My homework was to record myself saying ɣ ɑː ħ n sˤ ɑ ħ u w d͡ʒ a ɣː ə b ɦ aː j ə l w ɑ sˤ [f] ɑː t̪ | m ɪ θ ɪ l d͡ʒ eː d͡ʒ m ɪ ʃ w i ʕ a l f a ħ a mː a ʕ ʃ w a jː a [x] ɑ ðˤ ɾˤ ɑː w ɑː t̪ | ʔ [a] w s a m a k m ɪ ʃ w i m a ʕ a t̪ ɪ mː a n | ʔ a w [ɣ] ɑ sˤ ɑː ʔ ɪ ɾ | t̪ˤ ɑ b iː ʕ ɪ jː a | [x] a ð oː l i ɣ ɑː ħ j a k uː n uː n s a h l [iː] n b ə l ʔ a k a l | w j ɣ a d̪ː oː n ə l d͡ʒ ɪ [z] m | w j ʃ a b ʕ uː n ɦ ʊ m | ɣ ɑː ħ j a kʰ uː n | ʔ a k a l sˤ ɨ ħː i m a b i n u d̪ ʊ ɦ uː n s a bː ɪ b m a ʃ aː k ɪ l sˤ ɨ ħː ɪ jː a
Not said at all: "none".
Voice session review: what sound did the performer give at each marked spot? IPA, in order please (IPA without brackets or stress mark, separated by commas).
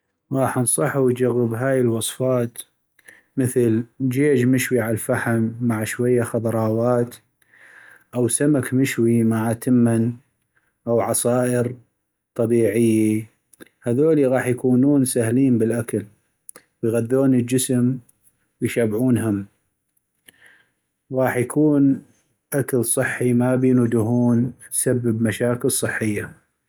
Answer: f, x, a, ʕ, h, iː, s